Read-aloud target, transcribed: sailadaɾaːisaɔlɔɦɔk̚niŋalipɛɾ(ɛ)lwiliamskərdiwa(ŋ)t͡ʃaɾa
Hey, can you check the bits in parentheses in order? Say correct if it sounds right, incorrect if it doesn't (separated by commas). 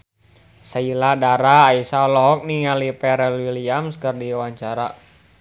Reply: correct, incorrect